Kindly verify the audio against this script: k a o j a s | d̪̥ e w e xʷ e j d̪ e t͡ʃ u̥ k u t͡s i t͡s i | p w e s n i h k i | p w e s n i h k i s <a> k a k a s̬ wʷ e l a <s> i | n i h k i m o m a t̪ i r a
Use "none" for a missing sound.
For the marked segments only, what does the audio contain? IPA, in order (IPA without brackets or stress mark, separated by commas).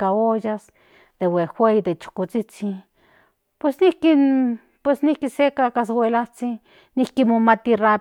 e, t͡s